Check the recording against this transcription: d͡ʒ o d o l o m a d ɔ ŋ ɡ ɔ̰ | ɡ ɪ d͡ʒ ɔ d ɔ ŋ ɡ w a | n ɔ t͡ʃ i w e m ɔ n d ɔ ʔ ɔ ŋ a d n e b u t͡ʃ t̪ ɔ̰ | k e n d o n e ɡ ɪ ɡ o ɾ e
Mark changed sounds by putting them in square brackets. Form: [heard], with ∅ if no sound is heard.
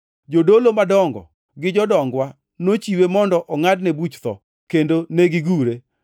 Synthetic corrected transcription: d͡ʒ o d o l o m a d ɔ ŋ ɡ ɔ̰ | ɡ ɪ d͡ʒ ɔ d ɔ ŋ ɡ w a | n [o] t͡ʃ i w e m ɔ n d ɔ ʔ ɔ ŋ a d n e b u t͡ʃ t̪ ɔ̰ | k e n d o n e ɡ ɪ ɡ [u] ɾ e